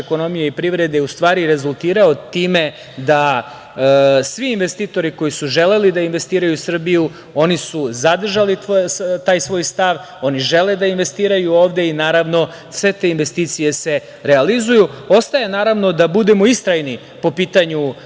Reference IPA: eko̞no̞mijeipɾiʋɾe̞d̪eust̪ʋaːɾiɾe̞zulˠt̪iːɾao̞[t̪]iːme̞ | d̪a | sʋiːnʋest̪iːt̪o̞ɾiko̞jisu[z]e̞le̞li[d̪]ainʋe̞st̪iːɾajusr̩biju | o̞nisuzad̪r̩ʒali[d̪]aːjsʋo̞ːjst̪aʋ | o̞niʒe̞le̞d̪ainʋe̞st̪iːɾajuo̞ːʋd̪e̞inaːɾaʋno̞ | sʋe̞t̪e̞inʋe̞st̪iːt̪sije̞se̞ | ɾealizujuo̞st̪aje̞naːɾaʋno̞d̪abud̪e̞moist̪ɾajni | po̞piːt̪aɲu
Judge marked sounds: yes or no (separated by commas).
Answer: yes, no, yes, no